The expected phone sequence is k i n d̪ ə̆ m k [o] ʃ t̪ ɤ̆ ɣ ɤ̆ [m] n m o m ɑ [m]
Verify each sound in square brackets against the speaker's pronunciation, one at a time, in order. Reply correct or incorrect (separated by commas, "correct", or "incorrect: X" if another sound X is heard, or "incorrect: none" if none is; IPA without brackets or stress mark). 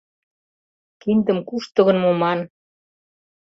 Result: incorrect: u, incorrect: none, incorrect: n